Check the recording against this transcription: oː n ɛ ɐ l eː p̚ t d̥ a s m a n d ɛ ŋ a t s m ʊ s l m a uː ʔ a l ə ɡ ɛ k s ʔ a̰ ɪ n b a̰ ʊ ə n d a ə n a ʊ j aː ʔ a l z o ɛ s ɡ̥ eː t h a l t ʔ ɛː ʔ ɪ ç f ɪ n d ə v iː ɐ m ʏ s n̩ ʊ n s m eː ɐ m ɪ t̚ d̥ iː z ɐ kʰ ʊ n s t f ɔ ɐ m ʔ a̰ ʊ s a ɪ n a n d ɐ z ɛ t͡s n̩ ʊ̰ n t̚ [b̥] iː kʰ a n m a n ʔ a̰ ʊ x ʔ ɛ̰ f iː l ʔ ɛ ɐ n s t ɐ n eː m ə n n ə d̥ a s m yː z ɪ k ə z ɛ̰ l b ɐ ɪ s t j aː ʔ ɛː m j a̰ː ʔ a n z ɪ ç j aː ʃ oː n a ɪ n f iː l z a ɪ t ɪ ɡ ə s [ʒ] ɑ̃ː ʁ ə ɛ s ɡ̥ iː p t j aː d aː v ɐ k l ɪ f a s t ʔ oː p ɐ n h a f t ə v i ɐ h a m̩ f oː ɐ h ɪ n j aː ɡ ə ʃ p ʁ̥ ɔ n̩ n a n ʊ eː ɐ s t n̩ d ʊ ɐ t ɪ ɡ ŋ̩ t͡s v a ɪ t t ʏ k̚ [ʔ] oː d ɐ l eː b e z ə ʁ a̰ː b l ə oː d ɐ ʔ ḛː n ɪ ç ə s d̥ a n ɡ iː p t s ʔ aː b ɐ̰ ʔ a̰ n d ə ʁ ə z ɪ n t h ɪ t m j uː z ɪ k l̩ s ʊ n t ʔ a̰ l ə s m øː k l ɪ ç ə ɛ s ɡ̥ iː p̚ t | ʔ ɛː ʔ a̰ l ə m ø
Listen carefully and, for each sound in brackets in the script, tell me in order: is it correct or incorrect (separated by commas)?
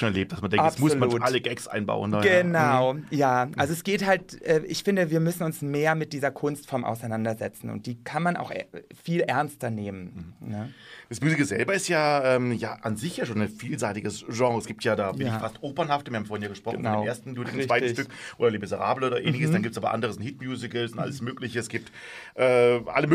incorrect, correct, correct